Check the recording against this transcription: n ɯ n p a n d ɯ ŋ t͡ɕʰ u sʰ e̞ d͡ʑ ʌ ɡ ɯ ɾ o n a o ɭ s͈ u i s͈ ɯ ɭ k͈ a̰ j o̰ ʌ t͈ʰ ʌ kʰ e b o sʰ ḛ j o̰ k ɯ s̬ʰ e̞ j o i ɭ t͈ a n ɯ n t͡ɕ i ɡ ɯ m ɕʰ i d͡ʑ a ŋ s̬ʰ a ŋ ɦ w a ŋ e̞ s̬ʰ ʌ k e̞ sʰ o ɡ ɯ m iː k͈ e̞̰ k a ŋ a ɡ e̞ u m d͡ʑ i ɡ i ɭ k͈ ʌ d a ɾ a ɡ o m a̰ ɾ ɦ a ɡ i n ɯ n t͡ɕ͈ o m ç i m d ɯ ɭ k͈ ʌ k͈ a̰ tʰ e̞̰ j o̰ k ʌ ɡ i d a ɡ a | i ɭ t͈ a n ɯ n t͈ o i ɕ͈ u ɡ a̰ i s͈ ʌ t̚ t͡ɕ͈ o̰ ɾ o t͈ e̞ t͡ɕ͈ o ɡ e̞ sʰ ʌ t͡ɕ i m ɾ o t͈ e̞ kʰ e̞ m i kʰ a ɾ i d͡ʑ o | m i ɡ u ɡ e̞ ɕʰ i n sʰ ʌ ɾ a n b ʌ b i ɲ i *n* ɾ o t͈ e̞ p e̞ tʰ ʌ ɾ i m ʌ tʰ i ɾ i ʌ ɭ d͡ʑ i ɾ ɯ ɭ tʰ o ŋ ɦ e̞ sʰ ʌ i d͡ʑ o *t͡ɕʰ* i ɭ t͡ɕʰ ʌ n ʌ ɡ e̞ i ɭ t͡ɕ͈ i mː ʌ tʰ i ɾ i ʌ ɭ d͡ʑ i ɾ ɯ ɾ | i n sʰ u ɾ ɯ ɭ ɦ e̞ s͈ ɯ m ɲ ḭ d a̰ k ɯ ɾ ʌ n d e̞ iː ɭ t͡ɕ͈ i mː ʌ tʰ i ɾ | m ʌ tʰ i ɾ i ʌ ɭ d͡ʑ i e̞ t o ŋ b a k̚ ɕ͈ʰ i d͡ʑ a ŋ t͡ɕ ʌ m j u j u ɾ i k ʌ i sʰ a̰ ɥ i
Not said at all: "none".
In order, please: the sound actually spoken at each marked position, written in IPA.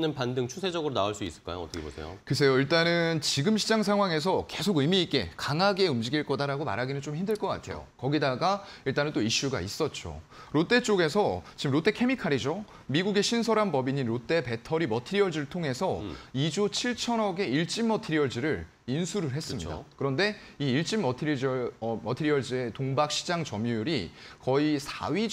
n, t͡ɕʰ

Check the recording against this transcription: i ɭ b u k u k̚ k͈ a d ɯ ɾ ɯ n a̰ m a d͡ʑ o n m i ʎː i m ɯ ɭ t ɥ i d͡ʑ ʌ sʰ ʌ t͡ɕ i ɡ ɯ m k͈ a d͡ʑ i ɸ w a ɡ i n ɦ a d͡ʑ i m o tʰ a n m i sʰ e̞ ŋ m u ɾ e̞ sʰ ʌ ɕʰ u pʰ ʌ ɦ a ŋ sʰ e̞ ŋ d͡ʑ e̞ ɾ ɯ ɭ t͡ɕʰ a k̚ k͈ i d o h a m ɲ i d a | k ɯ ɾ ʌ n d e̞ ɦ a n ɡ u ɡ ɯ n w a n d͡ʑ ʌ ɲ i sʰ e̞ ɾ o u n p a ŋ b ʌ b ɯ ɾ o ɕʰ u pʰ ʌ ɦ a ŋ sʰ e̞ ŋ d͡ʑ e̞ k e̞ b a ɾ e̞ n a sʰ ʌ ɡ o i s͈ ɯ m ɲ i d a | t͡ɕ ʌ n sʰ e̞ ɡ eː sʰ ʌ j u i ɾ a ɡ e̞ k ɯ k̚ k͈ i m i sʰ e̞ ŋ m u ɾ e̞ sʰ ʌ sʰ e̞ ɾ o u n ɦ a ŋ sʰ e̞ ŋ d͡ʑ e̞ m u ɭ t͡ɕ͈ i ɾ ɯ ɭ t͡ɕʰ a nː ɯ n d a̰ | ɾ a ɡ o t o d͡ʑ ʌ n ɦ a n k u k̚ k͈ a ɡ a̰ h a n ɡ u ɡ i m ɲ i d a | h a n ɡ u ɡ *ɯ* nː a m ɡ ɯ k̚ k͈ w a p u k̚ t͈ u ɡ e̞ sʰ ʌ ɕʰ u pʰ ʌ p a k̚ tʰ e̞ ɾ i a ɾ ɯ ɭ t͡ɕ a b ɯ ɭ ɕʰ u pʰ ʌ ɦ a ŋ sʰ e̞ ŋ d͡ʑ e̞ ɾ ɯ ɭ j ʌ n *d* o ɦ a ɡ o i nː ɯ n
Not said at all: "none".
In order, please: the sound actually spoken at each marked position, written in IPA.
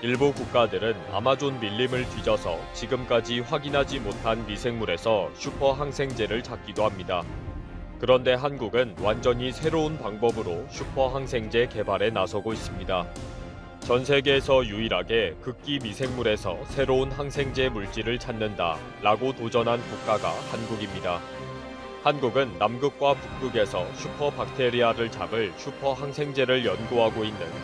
ɯ, ɡ

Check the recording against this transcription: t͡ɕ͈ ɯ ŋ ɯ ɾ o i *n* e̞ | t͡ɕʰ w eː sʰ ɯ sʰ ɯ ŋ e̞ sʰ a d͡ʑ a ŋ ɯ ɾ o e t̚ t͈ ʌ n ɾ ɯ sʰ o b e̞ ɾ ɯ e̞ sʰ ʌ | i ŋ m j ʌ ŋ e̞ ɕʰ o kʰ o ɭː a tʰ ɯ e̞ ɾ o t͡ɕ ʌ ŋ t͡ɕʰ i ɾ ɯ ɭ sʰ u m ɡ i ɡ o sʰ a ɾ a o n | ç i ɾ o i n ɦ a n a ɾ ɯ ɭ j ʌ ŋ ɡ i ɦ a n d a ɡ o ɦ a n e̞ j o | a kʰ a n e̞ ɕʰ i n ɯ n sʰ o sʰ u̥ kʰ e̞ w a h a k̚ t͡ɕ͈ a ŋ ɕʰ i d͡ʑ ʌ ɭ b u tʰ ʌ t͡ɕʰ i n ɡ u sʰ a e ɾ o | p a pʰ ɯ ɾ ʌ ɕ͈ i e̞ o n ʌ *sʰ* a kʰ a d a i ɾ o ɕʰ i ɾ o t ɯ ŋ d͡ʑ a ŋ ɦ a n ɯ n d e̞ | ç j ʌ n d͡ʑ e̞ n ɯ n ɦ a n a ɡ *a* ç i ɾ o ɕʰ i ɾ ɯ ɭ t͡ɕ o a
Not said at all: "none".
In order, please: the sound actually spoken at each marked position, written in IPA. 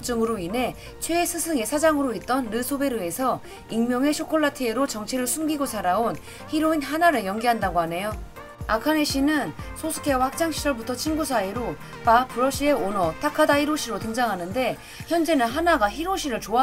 n, tʰ, a

